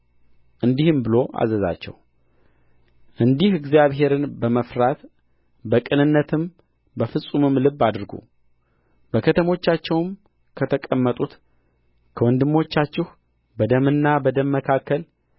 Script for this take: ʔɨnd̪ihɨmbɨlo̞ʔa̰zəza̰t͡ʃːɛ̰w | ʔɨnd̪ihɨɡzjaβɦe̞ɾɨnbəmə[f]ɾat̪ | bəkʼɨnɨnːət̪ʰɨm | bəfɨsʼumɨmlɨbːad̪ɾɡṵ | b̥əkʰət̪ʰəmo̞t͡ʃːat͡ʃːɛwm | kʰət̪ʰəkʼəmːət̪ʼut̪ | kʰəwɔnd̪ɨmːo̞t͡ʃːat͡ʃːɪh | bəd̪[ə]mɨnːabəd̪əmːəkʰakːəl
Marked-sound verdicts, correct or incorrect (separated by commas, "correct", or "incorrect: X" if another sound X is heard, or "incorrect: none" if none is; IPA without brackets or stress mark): correct, correct